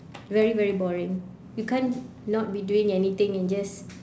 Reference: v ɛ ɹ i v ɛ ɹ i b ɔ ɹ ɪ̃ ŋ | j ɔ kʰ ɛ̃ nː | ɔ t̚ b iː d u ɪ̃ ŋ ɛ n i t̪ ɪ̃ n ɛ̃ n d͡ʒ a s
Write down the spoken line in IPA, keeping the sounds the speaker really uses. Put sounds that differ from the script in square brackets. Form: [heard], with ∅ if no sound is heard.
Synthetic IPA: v ɛ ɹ i v ɛ ɹ i b ɔ ɹ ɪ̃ ŋ | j [u] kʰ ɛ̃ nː | ɔ t̚ b [i] d u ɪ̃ ŋ ɛ n i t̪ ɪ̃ [ŋ] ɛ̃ n d͡ʒ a s